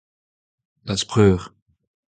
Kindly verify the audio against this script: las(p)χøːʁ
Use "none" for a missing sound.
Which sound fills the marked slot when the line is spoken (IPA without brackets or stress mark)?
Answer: p